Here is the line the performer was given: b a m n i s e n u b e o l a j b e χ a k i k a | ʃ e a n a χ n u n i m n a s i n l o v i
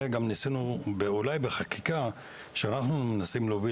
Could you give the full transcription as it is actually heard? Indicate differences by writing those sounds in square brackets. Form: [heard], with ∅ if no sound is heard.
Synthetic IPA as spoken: [ɡ] a m n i s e n u b e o l a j b e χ a k i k a | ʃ e a n a χ n u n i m n a s i [m] l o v i